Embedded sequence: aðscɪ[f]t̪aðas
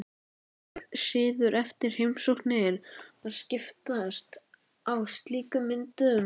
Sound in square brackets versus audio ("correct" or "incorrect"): correct